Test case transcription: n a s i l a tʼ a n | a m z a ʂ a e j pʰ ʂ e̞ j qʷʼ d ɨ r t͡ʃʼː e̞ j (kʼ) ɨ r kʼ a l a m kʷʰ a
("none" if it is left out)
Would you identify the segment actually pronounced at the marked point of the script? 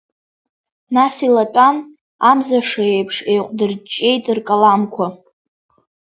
tʼ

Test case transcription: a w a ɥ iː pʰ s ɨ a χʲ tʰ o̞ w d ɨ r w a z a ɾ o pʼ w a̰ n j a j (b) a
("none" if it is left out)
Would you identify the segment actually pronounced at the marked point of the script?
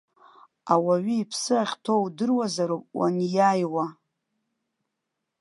w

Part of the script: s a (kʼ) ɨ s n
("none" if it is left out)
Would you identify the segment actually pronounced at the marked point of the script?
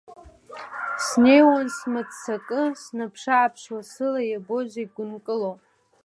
kʼ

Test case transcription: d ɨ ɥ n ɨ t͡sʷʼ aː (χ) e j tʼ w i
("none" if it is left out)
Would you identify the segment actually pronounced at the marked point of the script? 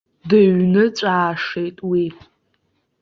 ʂ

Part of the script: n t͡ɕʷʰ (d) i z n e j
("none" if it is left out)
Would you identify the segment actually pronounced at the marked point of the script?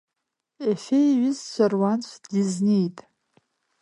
d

